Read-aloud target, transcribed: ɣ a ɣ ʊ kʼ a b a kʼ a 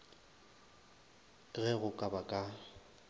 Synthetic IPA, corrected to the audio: ɣ ɛ ɣ ʊ kʼ a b a kʼ a